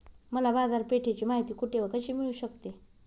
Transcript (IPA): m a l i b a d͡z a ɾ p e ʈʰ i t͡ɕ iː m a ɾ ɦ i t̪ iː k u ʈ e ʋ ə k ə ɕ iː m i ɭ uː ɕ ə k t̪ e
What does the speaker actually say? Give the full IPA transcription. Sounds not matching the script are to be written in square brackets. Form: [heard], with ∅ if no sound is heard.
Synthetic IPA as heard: m [ə] l [a] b a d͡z a ɾ p e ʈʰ [e] t͡ɕ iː m a [∅] ɦ i t̪ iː k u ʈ e ʋ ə k ə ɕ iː m i ɭ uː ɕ ə k t̪ e